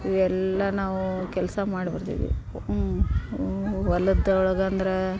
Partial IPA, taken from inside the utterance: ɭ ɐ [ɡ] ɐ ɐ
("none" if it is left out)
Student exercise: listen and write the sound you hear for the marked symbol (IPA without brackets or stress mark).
ɡ